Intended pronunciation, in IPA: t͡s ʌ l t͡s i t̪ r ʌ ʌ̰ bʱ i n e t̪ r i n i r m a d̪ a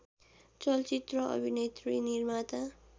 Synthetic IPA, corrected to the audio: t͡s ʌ l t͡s i t̪ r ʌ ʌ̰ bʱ i n e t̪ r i n i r m a t̪ a